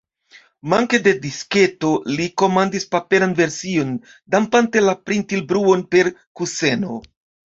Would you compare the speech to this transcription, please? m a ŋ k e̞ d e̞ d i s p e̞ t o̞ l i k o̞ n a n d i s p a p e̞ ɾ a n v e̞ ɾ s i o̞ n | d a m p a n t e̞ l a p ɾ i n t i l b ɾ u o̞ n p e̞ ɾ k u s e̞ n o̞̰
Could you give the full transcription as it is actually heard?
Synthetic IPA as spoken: m a ŋ k e̞ d e̞ d i s k e̞ t o̞ l i k o̞ m a n d i s p a p e̞ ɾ a n v e̞ ɾ s i o̞ n | d a m p a n t e̞ l a p ɾ i n t i l b ɾ u o̞ n p e̞ ɾ k u s e̞ n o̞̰